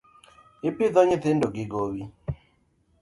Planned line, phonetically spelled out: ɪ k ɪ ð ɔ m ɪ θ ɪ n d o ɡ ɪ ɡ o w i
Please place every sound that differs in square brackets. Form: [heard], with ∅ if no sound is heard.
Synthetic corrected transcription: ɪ [p] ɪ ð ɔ [ɲ] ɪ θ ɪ n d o ɡ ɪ ɡ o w i